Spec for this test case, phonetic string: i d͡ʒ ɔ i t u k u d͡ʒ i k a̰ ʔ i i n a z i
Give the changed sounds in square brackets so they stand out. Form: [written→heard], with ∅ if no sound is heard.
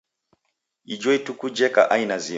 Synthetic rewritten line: i d͡ʒ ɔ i t u k u d͡ʒ [i→ɛ] k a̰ ʔ [i→a] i n a z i